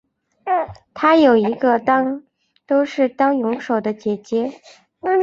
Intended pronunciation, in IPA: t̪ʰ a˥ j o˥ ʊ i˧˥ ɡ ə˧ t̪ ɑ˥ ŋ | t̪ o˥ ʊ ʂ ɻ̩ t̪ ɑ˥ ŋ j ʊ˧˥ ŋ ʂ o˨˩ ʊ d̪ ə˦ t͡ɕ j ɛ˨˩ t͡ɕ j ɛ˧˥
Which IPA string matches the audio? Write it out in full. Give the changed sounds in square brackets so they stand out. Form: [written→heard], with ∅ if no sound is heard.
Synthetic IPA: t̪ʰ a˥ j [o˥→o˨˩] ʊ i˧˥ ɡ ə˧ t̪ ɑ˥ ŋ | t̪ o˥ ʊ ʂ ɻ̩ t̪ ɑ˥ ŋ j ʊ˧˥ ŋ ʂ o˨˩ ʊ d̪ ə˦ t͡ɕ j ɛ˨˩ t͡ɕ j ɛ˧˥